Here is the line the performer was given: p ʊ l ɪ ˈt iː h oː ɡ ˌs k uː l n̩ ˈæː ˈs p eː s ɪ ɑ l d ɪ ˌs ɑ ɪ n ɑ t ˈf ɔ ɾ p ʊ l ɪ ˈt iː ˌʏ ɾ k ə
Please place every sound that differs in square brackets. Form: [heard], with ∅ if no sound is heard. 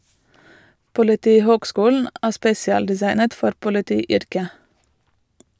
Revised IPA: p ʊ l ɪ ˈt iː h oː ɡ ˌs k uː l n̩ ˈæː ˈs p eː s ɪ ɑ l d ɪ ˌs ɑ ɪ n [ə] t ˈf ɔ ɾ p ʊ l ɪ ˈt iː ˌʏ ɾ k ə